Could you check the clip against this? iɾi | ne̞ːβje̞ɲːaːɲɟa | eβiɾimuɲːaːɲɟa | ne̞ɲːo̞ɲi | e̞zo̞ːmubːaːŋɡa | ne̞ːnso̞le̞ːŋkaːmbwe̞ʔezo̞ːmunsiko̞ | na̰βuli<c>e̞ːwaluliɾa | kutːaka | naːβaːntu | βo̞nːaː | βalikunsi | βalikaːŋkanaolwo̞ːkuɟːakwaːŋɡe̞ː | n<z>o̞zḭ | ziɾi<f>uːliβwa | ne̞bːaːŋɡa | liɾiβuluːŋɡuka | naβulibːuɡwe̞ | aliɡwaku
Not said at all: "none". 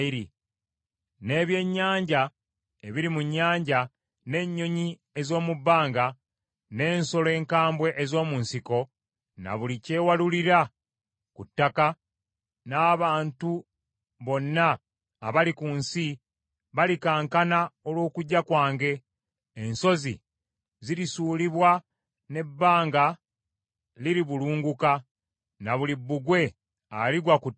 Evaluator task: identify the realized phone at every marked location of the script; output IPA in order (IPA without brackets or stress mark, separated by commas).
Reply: c, s, s